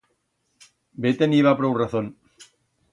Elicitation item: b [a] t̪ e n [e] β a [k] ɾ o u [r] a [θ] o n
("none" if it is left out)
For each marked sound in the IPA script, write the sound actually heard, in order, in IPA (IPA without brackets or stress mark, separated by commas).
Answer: e, i, p, r, θ